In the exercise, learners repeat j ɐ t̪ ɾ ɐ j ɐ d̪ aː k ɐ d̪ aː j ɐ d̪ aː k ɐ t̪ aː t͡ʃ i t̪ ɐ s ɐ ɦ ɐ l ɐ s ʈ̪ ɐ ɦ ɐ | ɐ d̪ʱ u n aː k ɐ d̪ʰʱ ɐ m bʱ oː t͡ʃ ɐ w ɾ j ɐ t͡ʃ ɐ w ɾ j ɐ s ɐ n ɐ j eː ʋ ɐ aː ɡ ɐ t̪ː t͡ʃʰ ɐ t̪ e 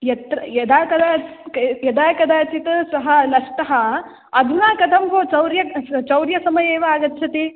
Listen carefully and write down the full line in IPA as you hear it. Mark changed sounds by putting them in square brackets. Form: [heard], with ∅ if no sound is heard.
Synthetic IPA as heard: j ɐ t̪ ɾ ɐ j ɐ d̪ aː k ɐ d̪ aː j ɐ d̪ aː k ɐ [d̪] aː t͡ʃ i t̪ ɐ s ɐ ɦ ɐ l ɐ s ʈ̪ ɐ ɦ ɐ | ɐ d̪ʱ u n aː k ɐ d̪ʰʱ ɐ m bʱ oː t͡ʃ ɐ w ɾ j ɐ t͡ʃ ɐ w ɾ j ɐ s ɐ [m] ɐ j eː ʋ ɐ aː ɡ ɐ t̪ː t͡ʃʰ ɐ t̪ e